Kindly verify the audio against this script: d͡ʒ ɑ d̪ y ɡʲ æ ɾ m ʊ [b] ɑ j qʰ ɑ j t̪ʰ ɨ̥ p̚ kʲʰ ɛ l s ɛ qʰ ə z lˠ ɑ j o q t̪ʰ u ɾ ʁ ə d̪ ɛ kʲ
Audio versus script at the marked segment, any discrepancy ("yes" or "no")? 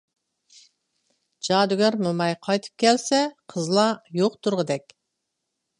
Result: yes